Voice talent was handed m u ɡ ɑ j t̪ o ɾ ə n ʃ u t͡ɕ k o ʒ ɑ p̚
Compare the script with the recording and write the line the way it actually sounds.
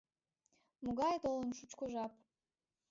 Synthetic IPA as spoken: m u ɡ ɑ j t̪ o l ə n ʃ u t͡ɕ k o ʒ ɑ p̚